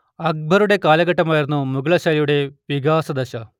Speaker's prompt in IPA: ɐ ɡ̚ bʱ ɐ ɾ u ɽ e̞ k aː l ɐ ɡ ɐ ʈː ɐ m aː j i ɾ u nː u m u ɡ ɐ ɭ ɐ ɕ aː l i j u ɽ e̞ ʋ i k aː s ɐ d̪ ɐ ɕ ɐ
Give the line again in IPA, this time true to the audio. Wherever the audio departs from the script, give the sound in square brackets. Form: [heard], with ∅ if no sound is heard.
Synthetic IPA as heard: ɐ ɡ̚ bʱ ɐ ɾ u ɽ e̞ k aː l ɐ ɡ ɐ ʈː ɐ m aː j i ɾ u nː u m u ɡ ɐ ɭ ɐ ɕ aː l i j u ɽ e̞ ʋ i [ɡ] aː s ɐ d̪ ɐ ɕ ɐ